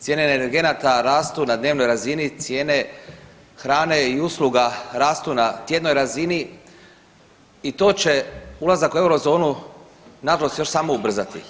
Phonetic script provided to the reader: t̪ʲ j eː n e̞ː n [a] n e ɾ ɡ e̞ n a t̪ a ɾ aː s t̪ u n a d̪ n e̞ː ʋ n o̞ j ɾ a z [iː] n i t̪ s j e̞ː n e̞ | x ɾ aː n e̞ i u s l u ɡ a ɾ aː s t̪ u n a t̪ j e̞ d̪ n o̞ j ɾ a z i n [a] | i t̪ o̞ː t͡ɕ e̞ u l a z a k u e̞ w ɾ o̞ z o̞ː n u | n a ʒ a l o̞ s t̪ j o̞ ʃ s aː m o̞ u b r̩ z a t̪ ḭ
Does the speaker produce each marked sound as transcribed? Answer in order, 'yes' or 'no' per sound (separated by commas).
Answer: no, no, no